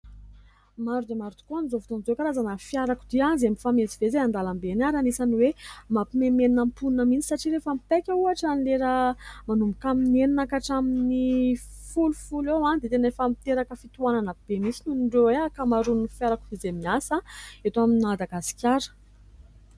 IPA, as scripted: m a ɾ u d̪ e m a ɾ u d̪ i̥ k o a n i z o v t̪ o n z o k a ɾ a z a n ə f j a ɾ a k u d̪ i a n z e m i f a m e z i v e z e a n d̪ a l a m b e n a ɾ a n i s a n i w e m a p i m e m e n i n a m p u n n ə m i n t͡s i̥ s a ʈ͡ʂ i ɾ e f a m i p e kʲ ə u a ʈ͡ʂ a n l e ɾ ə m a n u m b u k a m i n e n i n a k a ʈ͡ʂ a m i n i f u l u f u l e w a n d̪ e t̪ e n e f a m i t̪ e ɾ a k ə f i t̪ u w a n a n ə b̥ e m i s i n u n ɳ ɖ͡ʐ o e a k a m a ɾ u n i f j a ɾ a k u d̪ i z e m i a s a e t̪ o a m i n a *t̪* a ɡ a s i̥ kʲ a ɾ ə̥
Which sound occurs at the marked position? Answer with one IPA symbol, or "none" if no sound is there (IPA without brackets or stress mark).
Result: d̪